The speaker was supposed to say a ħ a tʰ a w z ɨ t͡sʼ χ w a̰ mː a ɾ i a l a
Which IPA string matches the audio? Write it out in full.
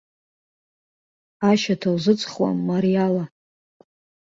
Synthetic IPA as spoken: a ʃ a tʰ a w z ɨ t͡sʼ χ w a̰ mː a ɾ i a l a